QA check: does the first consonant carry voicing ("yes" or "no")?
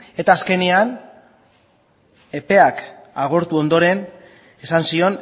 no